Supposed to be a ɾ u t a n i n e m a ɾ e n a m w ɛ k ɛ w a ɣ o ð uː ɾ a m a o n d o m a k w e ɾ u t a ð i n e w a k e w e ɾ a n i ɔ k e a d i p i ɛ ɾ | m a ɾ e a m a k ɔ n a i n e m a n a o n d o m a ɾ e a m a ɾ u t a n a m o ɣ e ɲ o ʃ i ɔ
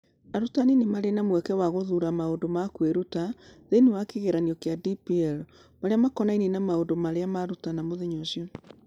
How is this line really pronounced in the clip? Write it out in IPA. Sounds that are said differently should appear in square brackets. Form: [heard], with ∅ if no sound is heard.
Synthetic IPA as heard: a ɾ u t a n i n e m a ɾ e n a m w ɛ k ɛ w a ɣ o ð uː ɾ a m a o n d o m a k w e ɾ u t a ð [e] n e w a k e [ɣ] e ɾ a n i ɔ k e a d i p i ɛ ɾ | m a ɾ e a m a k ɔ n a i n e [n] a [m] a o n d o m a ɾ e a m a ɾ u t a n a m o [ð] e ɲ o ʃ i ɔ